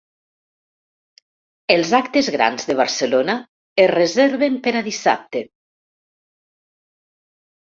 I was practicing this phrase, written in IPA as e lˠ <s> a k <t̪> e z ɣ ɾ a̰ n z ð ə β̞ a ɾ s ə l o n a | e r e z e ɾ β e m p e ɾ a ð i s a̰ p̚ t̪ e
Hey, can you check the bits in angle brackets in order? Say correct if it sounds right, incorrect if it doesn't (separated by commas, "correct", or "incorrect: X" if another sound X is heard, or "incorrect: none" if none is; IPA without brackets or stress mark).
incorrect: z, correct